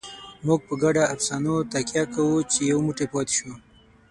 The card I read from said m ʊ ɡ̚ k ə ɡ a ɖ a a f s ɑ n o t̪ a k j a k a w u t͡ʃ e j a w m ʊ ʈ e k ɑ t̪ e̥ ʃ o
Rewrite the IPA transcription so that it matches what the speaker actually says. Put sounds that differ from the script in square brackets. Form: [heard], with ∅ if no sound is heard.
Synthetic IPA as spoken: m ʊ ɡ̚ [p] ə ɡ a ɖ a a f s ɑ n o t̪ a k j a k a w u t͡ʃ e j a w m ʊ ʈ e [p] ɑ t̪ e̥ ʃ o